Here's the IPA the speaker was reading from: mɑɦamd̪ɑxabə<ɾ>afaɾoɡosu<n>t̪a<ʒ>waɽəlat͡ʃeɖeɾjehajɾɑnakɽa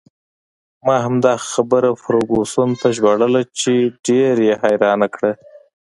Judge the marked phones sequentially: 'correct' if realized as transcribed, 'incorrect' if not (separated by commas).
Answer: correct, correct, correct